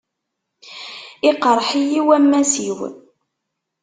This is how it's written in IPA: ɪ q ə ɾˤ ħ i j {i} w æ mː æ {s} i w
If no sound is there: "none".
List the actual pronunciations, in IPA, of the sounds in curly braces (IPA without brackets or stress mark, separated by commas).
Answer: i, s